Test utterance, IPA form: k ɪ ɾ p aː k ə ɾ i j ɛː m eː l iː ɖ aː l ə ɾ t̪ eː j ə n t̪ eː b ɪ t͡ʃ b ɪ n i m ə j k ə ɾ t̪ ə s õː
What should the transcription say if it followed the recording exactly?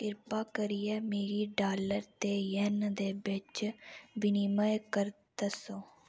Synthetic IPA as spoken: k ɪ ɾ p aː k ə ɾ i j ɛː m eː ɾ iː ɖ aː l ə ɾ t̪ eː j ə n d̪ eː b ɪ t͡ʃ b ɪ n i m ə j k ə ɾ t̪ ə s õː